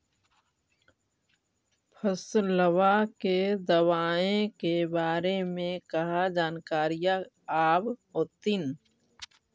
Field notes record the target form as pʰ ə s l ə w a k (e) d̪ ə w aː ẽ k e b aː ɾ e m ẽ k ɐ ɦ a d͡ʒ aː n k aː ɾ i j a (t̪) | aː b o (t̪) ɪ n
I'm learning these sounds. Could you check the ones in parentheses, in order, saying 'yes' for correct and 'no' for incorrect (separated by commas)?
yes, no, yes